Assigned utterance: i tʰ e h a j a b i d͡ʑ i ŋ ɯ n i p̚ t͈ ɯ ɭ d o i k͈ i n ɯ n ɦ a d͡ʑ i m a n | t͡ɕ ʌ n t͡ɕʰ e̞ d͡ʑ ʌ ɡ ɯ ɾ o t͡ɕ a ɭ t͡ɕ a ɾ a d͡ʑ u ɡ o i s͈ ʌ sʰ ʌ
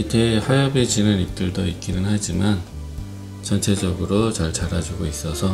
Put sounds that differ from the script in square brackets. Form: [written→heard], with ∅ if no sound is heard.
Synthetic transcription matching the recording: i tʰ e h a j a b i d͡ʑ i [ŋ→n] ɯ n i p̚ t͈ ɯ ɭ d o i k͈ i n ɯ n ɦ a d͡ʑ i m a n | t͡ɕ ʌ n t͡ɕʰ e̞ d͡ʑ ʌ ɡ ɯ ɾ o t͡ɕ a ɭ t͡ɕ a ɾ a d͡ʑ u ɡ o i s͈ ʌ sʰ ʌ